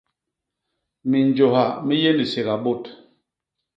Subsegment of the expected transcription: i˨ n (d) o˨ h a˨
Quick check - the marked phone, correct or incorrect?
incorrect